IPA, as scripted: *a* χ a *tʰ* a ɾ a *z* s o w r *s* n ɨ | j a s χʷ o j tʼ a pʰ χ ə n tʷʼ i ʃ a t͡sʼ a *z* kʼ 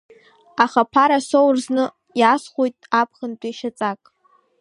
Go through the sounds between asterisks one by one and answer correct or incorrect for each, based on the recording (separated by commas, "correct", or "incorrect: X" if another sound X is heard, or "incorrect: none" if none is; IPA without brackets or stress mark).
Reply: correct, incorrect: pʰ, incorrect: none, incorrect: z, incorrect: none